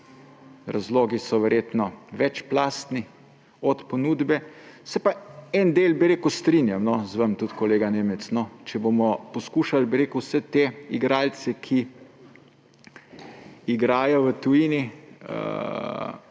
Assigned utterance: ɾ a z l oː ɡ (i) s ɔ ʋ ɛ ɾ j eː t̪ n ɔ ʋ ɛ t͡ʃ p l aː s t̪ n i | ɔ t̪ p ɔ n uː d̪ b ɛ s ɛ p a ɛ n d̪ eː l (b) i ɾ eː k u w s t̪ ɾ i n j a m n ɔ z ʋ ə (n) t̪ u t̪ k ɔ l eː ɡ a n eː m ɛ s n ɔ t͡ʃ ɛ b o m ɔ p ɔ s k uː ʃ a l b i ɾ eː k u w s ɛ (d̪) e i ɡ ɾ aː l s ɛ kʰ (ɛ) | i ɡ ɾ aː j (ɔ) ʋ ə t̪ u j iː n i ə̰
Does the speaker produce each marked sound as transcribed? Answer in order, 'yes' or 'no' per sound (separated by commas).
yes, yes, no, no, no, yes